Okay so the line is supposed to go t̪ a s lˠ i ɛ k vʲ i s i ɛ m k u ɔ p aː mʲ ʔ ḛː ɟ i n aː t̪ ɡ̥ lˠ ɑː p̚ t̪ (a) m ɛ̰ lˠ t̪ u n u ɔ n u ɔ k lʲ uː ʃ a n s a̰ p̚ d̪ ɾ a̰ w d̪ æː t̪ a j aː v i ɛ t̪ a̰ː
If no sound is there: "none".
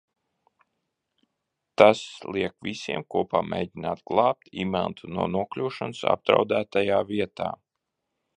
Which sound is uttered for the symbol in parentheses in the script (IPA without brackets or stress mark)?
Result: i